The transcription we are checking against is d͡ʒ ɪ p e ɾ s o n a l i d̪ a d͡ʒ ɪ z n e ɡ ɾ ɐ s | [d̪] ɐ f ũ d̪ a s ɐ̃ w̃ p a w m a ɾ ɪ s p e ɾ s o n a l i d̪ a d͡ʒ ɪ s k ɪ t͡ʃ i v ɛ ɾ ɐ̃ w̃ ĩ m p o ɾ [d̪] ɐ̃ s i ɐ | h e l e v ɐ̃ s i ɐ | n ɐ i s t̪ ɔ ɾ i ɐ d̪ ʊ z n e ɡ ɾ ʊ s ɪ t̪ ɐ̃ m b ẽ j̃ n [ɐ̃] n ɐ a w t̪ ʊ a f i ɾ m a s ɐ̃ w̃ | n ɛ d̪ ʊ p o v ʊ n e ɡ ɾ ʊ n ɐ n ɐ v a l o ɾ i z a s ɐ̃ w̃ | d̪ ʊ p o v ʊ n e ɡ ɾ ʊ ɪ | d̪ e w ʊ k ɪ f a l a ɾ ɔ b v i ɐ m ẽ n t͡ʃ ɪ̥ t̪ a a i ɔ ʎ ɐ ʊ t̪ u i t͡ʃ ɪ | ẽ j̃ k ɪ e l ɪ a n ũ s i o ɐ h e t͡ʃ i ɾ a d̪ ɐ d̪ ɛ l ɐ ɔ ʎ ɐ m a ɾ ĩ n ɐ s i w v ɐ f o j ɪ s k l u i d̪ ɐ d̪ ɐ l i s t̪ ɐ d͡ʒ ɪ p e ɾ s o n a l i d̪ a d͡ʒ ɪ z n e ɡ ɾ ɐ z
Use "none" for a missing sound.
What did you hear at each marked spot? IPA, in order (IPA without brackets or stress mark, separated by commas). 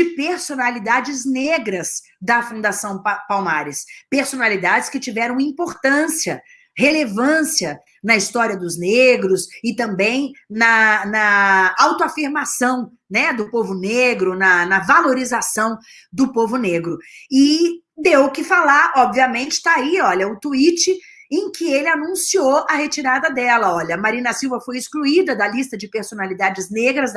d̪, t̪, ɐ